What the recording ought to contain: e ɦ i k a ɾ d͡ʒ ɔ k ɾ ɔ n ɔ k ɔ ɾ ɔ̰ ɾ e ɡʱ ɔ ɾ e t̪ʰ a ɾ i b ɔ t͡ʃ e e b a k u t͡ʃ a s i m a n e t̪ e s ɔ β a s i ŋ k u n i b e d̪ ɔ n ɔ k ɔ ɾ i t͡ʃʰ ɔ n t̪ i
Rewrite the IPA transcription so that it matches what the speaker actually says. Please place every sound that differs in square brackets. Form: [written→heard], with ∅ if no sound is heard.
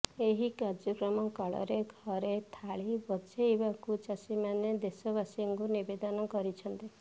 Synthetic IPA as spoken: e ɦ i k a ɾ d͡ʒ ɔ k ɾ ɔ [n→m] ɔ k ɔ [ɾ→ɭ] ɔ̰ ɾ e ɡʱ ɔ ɾ e t̪ʰ a [ɾ→ɭ] i b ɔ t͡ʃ e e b a k u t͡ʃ a s i m a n e [t̪→d̪] e s ɔ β a s i ŋ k u n i b e d̪ ɔ n ɔ k ɔ ɾ i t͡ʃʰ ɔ n t̪ i